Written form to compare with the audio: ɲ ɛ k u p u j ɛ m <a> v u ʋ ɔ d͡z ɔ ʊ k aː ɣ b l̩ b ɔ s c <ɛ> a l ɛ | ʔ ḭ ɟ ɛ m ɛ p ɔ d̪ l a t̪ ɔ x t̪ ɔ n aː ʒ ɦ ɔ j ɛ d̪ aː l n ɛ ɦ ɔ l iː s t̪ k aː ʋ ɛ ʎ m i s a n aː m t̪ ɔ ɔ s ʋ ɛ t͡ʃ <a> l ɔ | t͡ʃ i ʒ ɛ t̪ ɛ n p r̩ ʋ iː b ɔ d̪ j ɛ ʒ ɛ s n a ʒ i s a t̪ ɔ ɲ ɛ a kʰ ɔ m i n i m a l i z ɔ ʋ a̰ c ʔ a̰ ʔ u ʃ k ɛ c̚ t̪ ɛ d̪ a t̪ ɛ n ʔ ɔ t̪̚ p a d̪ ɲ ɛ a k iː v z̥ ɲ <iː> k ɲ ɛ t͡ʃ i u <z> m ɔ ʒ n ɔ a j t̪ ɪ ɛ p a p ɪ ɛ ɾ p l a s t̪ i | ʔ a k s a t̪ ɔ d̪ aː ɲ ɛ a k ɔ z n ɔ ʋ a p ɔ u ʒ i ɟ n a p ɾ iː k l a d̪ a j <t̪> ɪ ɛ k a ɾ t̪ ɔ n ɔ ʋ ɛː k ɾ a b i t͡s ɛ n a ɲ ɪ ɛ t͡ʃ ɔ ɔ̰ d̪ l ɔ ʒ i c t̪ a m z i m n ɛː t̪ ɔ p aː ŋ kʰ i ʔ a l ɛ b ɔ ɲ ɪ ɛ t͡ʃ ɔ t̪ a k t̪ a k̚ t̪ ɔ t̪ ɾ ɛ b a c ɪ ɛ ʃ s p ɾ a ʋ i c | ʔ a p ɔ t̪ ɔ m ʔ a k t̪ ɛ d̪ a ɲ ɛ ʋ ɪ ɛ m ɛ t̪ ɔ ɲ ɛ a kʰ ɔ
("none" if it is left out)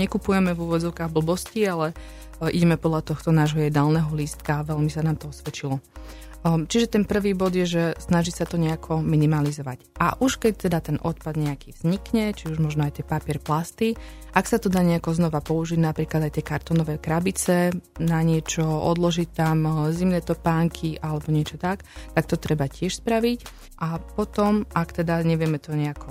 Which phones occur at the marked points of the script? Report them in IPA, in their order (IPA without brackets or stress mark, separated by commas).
ɛ, i, i, i, ʒ, t̪